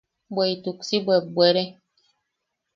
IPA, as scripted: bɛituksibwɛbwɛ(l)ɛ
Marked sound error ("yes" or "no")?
yes